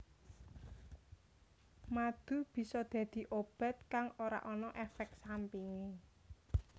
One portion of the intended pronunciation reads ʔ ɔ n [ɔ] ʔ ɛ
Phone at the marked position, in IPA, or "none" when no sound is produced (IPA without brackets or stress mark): ɔ